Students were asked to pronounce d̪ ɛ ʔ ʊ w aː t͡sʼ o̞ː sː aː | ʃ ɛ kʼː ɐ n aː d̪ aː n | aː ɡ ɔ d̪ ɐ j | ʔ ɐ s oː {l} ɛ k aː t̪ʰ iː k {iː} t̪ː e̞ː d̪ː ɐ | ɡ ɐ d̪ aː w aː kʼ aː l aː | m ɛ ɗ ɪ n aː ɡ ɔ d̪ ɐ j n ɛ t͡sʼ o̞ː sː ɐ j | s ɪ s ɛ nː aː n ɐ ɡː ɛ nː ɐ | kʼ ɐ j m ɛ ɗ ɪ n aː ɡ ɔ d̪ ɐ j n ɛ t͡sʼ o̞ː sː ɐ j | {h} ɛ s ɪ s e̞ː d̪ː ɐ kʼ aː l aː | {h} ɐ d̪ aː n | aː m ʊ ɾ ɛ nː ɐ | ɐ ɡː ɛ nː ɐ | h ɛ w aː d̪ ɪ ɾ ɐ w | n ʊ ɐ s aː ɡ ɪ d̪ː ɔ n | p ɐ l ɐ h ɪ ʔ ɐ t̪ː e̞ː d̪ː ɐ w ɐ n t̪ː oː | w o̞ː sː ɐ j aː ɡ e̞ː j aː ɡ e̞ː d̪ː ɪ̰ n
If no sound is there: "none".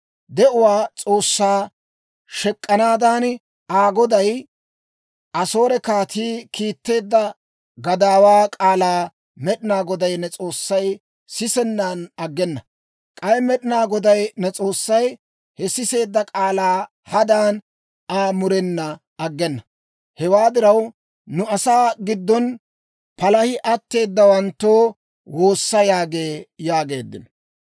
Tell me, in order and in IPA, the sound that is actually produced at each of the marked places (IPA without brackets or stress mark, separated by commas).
ɾ, iː, h, h